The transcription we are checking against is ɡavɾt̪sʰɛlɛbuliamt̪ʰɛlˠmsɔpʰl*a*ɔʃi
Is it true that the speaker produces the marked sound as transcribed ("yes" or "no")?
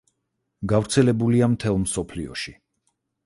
no